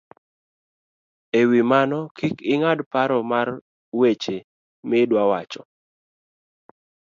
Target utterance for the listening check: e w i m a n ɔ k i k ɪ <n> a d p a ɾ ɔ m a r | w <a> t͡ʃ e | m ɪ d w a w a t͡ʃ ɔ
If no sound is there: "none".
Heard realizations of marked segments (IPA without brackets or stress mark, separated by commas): ŋ, e